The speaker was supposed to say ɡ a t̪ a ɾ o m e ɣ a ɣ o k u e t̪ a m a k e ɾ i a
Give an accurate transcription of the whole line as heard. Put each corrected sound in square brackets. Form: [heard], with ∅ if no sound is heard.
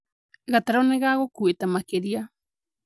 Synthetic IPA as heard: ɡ a t̪ a ɾ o [n] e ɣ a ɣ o k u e t̪ a m a k e ɾ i a

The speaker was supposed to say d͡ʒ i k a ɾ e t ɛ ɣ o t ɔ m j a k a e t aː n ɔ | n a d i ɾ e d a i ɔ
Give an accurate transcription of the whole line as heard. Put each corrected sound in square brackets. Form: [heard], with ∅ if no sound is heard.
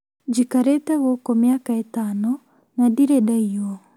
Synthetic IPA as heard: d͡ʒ i k a ɾ e t ɛ ɣ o [k] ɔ m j a k a e t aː n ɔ | n a d i ɾ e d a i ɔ

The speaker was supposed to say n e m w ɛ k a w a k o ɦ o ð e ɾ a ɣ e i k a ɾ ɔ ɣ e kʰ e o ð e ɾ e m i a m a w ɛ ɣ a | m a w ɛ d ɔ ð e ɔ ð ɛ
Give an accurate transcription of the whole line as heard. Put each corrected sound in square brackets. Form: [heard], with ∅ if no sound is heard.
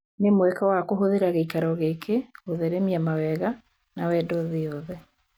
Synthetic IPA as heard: n e m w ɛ k a w a k o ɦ o ð e ɾ a ɣ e i k a ɾ ɔ ɣ e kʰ e o ð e ɾ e m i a m a w ɛ ɣ a | [n] a w ɛ d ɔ ð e ɔ ð ɛ

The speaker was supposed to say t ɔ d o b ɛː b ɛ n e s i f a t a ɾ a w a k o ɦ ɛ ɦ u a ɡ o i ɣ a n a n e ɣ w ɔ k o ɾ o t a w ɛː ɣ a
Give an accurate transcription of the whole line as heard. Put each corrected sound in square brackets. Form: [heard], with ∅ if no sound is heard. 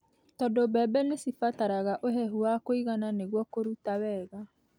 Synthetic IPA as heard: t ɔ d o b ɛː b ɛ n e s i f a t a ɾ a [ɣ] a [ʔ] o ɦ ɛ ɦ u a [k] o i ɣ a n a n e ɣ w ɔ k o ɾ [u] t a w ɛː ɣ a

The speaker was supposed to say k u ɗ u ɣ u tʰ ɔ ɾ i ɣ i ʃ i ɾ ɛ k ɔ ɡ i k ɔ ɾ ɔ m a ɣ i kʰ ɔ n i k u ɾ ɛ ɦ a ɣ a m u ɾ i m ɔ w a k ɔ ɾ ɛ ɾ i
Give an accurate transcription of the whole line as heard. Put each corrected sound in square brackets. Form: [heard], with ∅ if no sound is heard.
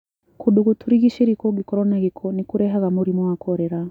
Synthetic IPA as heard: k u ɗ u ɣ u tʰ [u] ɾ i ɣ i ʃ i ɾ [i] k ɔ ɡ i k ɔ ɾ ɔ [n] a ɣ i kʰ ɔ n i k u ɾ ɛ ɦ a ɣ a m u ɾ i m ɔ w a k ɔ ɾ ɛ ɾ [a]

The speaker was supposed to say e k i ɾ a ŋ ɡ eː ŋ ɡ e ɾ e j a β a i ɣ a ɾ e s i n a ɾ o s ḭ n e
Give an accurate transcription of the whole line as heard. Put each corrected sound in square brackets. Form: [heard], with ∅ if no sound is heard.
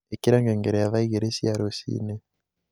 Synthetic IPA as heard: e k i ɾ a ŋ ɡ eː ŋ ɡ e ɾ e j a β a i ɣ [e] ɾ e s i [∅] a ɾ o s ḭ n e

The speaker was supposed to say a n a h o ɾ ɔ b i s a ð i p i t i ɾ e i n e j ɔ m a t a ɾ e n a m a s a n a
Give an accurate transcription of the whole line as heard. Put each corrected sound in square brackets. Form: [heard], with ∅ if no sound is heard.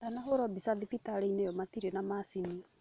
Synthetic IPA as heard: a n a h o ɾ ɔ b i s a ð i p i t [a] ɾ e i n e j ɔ m a t [i] ɾ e n a m a s [i] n [i]

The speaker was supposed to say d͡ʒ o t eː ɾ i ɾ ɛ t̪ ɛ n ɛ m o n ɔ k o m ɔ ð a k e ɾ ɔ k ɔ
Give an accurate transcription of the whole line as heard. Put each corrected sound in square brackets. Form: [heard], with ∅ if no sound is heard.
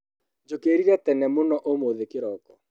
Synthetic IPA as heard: d͡ʒ o [k] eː ɾ i ɾ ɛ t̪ ɛ n ɛ m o n ɔ [ʔ] o m [o] ð [e] k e ɾ ɔ k ɔ

